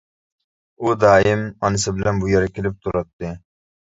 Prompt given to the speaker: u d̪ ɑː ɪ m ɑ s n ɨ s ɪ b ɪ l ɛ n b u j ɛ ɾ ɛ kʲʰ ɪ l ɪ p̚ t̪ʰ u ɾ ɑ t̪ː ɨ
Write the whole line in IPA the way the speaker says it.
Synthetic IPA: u d̪ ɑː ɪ m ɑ n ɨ s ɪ b ɪ l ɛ n b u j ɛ ɾ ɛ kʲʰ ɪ l ɪ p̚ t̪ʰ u ɾ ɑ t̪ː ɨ